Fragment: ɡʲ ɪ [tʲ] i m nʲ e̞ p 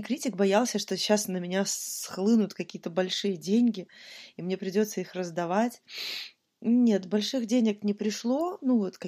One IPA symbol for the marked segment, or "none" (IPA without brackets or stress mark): none